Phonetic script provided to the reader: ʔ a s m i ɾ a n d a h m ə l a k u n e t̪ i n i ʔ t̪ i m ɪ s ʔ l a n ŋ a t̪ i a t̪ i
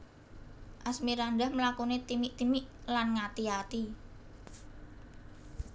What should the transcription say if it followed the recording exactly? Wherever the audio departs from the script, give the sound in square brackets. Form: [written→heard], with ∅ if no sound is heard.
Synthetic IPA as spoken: ʔ a s m i ɾ a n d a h m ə l a k u n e t̪ i [n→m] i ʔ t̪ i m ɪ [s→∅] ʔ l a n ŋ a t̪ i a t̪ i